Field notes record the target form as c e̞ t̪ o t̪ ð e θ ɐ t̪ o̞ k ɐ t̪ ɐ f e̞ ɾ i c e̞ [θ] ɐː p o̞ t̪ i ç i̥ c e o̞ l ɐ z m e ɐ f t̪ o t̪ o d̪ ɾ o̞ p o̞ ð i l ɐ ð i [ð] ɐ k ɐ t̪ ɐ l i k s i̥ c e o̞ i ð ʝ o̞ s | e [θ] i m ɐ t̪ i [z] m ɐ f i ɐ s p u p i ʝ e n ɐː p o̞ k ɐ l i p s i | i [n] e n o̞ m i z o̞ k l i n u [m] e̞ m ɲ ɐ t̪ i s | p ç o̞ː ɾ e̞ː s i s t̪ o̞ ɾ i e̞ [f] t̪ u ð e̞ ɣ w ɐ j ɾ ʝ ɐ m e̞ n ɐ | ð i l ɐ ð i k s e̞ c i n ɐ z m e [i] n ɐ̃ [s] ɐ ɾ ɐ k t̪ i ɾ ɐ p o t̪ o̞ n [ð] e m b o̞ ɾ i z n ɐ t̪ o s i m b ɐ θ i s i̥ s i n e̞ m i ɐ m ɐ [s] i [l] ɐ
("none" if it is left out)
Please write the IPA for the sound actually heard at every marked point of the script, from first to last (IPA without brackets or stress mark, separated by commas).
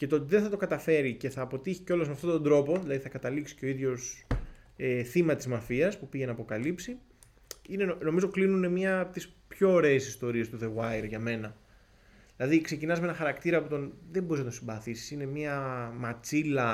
θ, θ, θ, z, n, n, s, e, x, ð, t͡s, l